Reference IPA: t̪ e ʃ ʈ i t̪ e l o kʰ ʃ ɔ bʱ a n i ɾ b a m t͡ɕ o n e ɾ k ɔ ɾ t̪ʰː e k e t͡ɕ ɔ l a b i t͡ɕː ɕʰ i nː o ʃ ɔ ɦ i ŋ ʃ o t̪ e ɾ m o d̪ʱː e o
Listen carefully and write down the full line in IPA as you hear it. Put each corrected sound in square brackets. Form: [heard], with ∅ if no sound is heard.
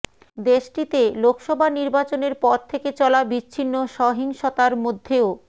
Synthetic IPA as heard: [d̪] e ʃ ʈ i t̪ e l o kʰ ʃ ɔ bʱ a n i ɾ b a [∅] t͡ɕ o n e ɾ [p] ɔ ɾ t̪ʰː e k e t͡ɕ ɔ l a b i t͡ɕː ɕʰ i nː o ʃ ɔ ɦ i ŋ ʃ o t̪ [a] ɾ m o d̪ʱː e o